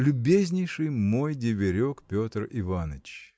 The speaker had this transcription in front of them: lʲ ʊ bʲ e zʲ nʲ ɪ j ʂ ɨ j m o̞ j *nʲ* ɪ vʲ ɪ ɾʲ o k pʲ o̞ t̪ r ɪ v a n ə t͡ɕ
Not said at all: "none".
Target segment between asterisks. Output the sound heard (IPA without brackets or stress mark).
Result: dʲ